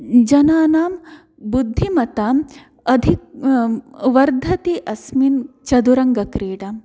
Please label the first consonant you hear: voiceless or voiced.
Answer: voiced